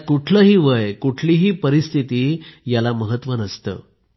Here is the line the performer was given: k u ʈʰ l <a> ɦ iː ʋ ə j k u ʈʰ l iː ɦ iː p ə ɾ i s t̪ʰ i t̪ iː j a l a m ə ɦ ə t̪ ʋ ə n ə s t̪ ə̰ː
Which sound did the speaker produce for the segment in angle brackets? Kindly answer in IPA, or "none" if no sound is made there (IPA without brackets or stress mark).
ə